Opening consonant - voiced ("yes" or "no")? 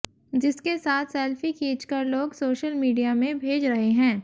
yes